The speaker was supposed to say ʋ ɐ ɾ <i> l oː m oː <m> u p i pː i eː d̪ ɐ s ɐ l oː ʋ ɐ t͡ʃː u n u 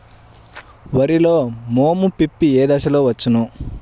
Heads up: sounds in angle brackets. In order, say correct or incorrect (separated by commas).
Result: correct, correct